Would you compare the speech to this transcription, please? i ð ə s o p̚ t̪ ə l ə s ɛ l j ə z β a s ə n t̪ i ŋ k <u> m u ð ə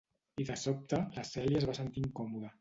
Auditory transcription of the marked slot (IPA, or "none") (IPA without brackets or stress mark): ɔ